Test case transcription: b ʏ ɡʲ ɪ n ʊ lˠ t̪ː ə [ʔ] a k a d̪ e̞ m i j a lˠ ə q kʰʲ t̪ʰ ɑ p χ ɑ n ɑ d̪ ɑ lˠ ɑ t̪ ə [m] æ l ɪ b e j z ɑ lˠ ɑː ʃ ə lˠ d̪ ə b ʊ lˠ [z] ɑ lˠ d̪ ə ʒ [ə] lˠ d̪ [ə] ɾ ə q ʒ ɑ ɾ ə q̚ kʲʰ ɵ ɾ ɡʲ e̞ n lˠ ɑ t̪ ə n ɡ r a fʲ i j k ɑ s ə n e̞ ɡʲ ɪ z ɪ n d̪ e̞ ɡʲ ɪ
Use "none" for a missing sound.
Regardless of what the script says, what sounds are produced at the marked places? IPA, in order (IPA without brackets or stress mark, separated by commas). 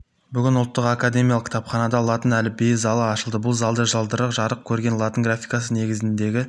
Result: q, n, z, ɑ, ə